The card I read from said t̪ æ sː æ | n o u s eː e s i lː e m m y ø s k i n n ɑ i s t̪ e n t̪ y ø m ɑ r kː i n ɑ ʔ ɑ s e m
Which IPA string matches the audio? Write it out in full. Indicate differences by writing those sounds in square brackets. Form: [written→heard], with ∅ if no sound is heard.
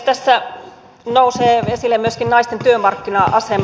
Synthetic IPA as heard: t̪ æ sː æ | n o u s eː e s i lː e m m y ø s k i n n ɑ i s t̪ e n t̪ y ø m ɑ r kː i n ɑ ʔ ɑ s e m